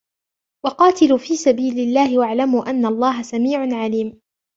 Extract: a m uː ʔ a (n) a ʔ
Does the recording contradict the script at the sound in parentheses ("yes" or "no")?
yes